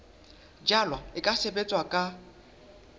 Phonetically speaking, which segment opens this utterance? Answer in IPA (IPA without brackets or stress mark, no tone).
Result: d͡ʒ